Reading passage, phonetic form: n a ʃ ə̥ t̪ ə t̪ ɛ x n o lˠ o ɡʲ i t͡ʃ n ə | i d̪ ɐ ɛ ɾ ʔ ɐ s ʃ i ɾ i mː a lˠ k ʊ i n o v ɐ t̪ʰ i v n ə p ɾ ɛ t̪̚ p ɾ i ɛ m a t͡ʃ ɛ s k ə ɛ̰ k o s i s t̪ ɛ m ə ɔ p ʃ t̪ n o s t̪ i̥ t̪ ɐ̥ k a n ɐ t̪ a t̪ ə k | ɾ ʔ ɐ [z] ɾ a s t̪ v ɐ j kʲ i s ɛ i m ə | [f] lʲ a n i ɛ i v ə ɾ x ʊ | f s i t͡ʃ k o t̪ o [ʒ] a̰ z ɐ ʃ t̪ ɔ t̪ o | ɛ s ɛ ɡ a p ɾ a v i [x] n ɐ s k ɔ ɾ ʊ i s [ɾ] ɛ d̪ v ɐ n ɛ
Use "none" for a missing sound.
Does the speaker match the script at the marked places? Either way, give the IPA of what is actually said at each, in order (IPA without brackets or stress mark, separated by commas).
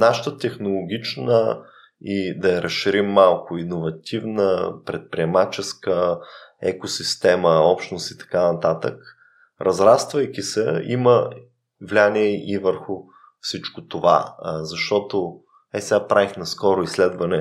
z, v, v, x, l